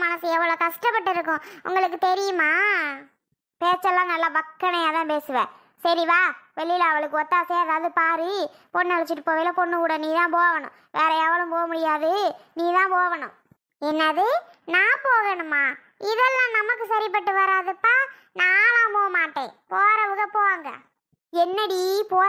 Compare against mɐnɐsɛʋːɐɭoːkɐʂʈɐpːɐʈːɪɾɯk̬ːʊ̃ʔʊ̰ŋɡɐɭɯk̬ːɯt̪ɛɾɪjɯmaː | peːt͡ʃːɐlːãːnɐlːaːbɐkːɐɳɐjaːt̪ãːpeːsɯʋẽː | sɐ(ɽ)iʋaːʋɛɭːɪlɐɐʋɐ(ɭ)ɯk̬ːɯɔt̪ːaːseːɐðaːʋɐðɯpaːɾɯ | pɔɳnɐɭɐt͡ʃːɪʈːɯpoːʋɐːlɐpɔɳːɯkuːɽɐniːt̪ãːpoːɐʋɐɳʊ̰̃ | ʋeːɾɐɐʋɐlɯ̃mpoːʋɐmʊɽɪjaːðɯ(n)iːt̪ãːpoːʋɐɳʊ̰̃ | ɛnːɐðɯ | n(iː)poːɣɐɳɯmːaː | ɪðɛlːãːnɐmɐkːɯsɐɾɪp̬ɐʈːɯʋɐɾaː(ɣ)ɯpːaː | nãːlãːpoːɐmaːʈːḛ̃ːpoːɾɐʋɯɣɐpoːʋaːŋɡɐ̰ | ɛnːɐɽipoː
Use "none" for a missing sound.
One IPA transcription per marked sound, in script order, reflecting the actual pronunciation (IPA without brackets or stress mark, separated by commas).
ɾ, ɭ, n, aː, ð